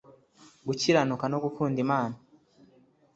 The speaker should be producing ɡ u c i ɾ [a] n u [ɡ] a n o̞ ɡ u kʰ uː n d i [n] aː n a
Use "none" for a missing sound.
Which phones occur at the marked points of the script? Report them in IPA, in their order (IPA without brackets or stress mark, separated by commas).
a, k, m